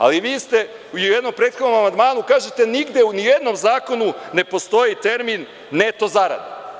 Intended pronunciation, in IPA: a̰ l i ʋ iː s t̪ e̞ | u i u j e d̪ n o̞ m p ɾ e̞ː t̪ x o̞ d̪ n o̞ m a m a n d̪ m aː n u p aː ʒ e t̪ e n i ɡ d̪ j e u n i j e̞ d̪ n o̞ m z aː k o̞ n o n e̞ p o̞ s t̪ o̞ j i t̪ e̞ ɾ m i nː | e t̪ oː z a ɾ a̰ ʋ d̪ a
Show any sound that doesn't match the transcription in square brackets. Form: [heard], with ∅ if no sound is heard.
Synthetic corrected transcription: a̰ l i ʋ iː s t̪ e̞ | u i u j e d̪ n o̞ m p ɾ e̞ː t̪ x o̞ d̪ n o̞ m a m a n d̪ m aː n u [k] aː ʒ e t̪ e n i ɡ d̪ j e u n i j e̞ d̪ n o̞ m z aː k o̞ n [u] n e̞ p o̞ s t̪ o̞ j i t̪ e̞ ɾ m i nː | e t̪ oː z a ɾ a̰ [∅] d̪ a